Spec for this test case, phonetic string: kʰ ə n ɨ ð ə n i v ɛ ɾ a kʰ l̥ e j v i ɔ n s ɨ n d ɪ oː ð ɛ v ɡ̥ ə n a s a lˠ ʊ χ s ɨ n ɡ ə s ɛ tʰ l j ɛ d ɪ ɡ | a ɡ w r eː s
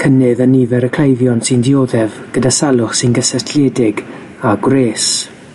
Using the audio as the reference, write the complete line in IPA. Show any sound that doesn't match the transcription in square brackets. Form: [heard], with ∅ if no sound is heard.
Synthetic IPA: kʰ ə n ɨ ð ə n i v ɛ ɾ [ə] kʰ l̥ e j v [j] ɔ n s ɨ n d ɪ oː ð ɛ v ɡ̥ ə [d] a s a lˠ ʊ χ s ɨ n ɡ ə s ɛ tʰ l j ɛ d ɪ ɡ | a ɡ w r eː s